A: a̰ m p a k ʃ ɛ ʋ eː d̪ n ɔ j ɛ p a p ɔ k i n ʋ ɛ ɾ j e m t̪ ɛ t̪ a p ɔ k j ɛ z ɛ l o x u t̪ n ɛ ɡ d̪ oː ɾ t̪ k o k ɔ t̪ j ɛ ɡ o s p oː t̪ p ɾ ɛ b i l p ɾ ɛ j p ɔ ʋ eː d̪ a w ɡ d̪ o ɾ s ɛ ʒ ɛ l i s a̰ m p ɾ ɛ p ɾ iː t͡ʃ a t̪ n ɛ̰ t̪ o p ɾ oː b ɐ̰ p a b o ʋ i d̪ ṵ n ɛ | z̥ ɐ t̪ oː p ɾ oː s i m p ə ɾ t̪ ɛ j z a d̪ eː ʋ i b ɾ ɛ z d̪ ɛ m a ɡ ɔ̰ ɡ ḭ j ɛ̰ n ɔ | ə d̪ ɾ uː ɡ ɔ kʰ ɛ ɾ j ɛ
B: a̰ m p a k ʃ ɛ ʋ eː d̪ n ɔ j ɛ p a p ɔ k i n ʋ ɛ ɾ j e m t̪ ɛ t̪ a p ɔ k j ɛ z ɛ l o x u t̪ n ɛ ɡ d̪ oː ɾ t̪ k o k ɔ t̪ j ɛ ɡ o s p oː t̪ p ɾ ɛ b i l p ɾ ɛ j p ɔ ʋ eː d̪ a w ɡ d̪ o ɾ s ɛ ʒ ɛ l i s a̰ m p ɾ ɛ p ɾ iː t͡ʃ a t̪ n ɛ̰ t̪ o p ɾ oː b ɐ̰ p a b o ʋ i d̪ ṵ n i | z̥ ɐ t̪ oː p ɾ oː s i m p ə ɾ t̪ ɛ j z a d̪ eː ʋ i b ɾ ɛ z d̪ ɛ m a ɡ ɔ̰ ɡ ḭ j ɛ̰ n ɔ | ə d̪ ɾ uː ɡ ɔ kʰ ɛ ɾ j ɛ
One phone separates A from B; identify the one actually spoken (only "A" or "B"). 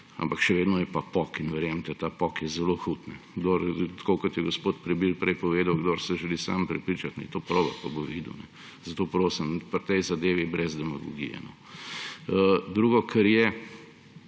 A